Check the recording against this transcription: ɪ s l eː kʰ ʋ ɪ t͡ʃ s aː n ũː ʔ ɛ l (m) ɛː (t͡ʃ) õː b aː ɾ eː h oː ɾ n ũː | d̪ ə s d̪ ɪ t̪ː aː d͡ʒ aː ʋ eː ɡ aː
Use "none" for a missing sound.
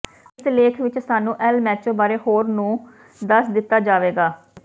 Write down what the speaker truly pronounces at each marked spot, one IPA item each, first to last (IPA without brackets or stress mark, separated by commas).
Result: m, t͡ʃ